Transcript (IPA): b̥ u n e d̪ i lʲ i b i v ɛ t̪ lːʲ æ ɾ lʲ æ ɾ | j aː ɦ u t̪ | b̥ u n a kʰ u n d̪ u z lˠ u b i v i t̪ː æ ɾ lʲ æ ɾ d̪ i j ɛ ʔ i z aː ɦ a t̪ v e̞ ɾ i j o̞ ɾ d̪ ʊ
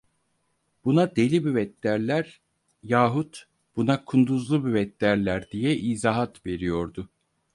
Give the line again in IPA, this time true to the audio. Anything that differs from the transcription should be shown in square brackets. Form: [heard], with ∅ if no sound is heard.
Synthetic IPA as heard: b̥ u n [a] d̪ [e] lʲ i b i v ɛ t̪ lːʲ æ ɾ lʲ æ ɾ | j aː ɦ u t̪ | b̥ u n a kʰ u n d̪ u z lˠ u b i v [ɛ] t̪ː æ ɾ lʲ æ ɾ d̪ i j ɛ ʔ i z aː ɦ a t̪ v e̞ ɾ i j o̞ ɾ d̪ ʊ